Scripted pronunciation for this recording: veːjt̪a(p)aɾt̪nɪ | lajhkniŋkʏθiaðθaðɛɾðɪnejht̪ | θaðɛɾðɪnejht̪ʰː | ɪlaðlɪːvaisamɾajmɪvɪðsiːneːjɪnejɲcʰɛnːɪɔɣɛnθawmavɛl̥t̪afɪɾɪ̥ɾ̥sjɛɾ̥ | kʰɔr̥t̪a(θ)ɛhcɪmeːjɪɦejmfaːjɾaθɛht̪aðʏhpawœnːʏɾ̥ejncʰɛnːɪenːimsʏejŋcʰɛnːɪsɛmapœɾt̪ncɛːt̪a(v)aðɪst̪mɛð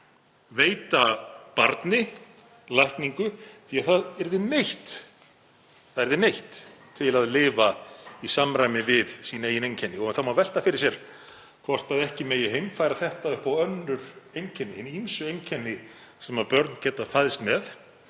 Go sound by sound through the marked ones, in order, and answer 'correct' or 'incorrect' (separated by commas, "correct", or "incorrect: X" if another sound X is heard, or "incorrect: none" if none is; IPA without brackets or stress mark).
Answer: correct, incorrect: ð, incorrect: f